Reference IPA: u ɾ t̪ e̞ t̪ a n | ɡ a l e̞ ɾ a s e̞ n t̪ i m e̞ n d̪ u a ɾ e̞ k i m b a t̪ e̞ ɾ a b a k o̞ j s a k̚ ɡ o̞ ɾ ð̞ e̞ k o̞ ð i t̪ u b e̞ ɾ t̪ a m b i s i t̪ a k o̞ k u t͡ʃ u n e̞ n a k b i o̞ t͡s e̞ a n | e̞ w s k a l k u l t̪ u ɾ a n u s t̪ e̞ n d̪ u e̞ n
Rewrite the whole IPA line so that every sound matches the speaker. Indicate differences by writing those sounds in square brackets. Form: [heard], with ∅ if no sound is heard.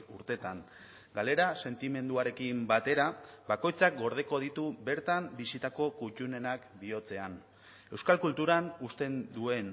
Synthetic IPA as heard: u ɾ t̪ e̞ t̪ a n | ɡ a l e̞ ɾ a s e̞ n t̪ i m e̞ n d̪ u a ɾ e̞ k i m b a t̪ e̞ ɾ a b a k o̞ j [t͡s] a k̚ ɡ o̞ ɾ ð̞ e̞ k o̞ ð i t̪ u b e̞ ɾ t̪ a m b i s i t̪ a k o̞ k u t͡ʃ u n e̞ n a k b i o̞ t͡s e̞ a n | e̞ w s k a l k u l t̪ u ɾ a n u s t̪ e̞ n d̪ u e̞ n